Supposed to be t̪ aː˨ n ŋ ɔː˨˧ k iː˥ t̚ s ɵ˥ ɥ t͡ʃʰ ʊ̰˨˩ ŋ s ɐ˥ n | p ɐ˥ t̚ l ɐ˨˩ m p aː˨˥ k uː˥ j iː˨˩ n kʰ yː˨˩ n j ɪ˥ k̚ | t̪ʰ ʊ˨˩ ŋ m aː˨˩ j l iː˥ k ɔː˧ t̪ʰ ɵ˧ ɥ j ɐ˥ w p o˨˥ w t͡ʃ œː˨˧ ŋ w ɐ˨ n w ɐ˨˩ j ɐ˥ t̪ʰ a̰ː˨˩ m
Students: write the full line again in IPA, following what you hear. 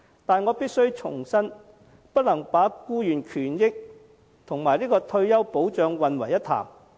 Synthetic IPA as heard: t̪ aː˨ n ŋ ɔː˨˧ p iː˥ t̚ s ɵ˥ ɥ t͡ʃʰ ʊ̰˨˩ ŋ s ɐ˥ n | p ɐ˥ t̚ l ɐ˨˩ ŋ p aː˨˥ k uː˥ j yː˨˩ n kʰ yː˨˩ n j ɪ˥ k̚ | t̪ʰ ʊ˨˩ ŋ m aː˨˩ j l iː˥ k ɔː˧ t̪ʰ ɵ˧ ɥ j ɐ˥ w p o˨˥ w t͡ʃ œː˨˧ ŋ w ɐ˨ n w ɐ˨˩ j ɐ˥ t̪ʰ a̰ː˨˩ m